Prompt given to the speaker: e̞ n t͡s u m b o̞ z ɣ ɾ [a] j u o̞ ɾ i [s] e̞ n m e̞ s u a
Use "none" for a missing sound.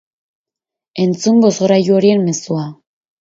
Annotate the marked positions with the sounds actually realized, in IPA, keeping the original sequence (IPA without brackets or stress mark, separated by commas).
a, none